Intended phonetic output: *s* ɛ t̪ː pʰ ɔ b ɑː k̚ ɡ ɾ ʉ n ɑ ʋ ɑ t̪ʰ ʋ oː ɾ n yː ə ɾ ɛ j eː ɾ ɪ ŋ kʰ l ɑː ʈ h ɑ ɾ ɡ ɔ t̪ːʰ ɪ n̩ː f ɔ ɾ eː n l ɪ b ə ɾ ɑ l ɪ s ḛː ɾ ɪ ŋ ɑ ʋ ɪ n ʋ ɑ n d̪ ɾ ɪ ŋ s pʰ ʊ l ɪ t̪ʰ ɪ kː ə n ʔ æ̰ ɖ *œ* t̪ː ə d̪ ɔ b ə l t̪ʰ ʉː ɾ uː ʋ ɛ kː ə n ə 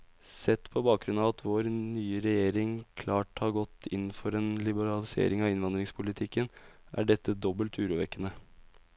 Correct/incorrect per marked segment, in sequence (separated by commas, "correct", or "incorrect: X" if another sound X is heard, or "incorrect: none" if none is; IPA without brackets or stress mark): correct, incorrect: ɛ